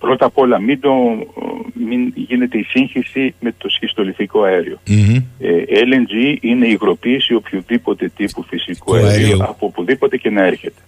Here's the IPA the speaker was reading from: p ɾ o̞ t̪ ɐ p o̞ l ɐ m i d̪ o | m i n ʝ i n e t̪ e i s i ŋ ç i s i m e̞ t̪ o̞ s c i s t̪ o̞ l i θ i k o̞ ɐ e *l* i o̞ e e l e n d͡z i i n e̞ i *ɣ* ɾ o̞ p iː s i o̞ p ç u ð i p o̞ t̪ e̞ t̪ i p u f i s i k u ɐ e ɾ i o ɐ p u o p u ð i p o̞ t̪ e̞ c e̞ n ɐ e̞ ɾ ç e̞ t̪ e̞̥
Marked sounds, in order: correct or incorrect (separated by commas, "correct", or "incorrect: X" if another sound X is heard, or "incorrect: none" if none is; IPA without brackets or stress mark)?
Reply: incorrect: ɾ, correct